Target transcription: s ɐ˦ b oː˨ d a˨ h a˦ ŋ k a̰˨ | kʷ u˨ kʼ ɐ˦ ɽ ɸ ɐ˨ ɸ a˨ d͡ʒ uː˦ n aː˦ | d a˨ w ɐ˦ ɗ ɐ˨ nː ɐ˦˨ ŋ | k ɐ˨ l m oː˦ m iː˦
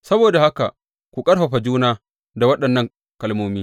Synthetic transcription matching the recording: s ɐ˦ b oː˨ d a˨ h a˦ k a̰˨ | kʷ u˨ kʼ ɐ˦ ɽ ɸ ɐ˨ ɸ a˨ d͡ʒ uː˦ n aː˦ | d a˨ w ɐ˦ ɗ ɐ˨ nː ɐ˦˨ ŋ | k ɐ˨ l m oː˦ m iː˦